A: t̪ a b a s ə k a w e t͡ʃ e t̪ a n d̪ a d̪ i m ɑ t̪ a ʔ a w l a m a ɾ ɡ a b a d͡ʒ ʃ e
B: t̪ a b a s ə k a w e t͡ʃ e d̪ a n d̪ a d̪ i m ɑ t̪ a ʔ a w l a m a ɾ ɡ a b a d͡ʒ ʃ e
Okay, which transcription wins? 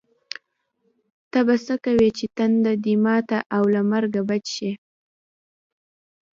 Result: A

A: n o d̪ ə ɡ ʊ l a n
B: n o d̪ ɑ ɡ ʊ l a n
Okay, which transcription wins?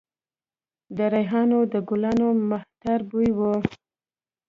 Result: A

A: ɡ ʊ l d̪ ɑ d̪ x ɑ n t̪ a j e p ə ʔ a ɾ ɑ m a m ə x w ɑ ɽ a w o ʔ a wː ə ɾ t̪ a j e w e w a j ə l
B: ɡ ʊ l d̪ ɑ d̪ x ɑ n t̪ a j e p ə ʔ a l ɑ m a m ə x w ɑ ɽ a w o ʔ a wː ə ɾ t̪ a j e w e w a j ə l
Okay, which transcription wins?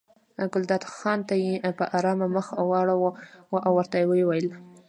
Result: A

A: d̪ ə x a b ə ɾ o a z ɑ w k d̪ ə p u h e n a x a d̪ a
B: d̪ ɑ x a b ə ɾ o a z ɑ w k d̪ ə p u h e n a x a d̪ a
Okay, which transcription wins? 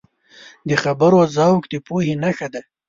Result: A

